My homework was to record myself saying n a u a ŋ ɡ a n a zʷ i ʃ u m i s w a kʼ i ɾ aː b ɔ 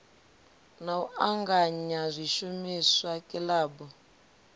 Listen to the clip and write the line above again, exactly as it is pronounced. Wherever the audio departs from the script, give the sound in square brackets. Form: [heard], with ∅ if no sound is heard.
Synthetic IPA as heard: n a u a ŋ ɡ a [ɲ] a zʷ i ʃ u m i s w a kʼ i [l] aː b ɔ